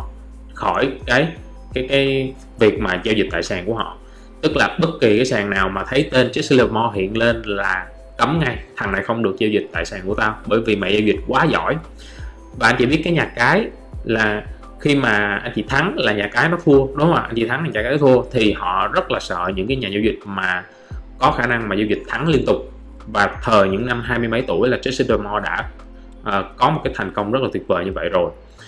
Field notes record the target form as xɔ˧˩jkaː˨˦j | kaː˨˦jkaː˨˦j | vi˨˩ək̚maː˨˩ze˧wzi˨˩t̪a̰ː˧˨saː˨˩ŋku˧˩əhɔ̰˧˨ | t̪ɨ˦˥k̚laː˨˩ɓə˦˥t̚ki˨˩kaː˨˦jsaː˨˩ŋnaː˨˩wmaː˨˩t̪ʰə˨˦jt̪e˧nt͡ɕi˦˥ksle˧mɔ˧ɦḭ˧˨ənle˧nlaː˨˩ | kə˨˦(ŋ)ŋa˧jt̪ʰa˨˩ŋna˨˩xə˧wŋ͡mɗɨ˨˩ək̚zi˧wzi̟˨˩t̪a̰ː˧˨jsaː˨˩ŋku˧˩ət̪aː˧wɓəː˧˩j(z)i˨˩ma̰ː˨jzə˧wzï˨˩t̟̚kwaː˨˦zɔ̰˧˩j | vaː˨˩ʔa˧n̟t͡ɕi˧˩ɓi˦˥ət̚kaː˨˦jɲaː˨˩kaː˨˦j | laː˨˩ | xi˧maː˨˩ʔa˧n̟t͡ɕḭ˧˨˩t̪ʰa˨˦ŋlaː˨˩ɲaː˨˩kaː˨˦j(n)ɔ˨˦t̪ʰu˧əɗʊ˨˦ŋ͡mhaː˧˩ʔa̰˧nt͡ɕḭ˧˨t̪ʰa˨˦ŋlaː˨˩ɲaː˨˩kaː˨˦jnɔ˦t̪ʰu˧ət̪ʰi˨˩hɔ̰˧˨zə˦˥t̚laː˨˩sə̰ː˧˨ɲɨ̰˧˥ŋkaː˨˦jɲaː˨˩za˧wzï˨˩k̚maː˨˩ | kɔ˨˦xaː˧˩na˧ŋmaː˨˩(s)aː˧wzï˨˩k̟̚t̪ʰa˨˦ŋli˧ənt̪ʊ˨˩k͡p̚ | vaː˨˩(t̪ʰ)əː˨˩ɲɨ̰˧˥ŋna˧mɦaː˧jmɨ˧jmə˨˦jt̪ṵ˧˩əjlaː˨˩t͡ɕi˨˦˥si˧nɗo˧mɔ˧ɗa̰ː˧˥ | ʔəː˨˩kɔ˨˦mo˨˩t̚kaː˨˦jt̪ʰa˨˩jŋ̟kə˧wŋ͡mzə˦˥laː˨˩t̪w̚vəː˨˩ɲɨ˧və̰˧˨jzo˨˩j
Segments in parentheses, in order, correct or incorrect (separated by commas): incorrect, incorrect, correct, incorrect, correct